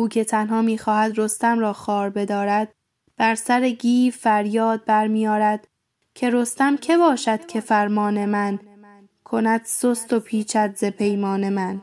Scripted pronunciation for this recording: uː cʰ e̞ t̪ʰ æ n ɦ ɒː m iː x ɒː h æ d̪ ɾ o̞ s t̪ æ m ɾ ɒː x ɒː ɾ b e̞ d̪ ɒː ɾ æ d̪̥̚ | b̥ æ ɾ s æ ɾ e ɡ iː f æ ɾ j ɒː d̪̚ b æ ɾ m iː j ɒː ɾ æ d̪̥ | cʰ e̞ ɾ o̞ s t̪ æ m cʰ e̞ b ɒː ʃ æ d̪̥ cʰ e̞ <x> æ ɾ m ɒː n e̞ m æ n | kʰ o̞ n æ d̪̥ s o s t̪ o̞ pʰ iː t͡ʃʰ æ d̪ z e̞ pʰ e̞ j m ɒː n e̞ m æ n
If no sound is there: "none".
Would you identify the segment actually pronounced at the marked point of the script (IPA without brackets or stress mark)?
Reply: f